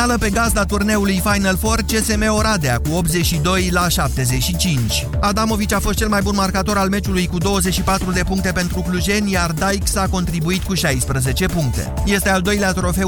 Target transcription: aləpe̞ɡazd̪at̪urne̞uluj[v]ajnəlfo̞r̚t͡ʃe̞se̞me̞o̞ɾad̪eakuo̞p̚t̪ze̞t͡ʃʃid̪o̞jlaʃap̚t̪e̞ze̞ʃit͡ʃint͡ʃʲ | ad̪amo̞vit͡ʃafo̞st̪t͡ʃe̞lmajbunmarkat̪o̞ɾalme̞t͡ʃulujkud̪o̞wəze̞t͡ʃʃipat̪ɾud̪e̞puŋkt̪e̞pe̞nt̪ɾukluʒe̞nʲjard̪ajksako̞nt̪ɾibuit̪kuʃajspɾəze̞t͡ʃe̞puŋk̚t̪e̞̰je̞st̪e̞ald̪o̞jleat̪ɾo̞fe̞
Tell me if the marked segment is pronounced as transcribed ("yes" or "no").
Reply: no